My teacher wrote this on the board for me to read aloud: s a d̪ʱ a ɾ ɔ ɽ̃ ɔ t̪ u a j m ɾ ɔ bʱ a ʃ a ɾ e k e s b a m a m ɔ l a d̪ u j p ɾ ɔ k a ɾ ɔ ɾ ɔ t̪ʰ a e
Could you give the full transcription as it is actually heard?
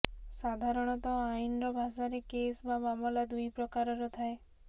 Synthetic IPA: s a d̪ʱ a ɾ ɔ ɽ̃ ɔ t̪ ɔ a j n ɾ ɔ bʱ a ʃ a ɾ e k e s b a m a m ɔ l a d̪ u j p ɾ ɔ k a ɾ ɔ ɾ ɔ t̪ʰ a e